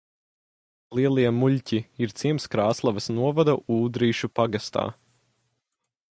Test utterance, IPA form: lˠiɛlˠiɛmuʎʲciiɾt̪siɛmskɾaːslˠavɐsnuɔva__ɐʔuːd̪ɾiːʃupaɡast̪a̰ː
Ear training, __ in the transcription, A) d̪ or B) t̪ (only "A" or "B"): A